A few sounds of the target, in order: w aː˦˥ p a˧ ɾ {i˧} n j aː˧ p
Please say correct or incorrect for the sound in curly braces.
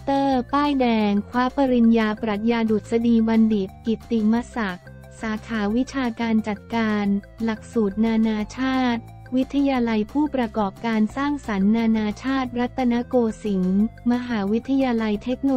correct